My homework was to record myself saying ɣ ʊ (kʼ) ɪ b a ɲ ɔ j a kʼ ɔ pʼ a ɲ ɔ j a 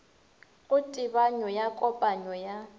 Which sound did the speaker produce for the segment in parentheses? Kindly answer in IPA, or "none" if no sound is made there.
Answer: tʼ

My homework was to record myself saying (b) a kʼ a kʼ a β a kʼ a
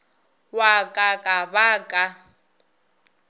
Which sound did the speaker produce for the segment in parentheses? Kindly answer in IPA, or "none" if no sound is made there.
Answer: w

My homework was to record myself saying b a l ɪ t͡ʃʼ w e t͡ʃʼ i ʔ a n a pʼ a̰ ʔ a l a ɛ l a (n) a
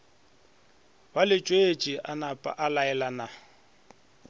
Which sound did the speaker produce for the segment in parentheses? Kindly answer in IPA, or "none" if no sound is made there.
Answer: n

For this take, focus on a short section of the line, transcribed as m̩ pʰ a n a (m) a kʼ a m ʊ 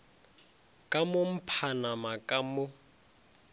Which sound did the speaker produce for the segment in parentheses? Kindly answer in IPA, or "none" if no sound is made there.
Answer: m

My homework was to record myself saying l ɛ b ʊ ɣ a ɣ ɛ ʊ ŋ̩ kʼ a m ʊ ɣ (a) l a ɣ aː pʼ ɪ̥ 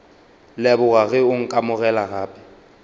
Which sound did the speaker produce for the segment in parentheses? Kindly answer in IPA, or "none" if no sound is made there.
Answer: ɛ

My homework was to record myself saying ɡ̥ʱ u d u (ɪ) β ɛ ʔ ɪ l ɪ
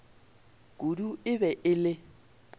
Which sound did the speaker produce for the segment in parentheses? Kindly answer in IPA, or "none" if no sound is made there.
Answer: ɪ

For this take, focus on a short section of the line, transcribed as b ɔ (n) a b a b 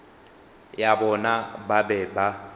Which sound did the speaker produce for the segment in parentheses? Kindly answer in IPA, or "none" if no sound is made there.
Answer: n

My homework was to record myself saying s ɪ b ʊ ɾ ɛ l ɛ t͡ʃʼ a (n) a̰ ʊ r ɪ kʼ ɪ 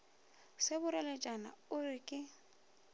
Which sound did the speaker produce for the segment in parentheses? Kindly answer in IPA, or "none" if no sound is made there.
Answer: n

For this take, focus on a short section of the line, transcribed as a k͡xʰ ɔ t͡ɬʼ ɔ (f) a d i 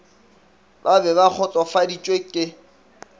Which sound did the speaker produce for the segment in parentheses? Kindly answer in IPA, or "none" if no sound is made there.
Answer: f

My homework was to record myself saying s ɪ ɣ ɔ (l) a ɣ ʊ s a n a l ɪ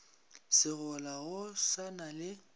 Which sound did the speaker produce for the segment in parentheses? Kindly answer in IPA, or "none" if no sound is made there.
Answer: l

